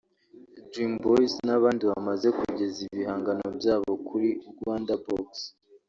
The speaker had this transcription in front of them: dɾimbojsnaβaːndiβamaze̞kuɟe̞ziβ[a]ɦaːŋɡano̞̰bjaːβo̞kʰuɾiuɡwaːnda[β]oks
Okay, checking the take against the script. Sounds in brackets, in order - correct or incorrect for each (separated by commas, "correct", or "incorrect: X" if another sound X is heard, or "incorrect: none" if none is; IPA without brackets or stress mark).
incorrect: i, incorrect: b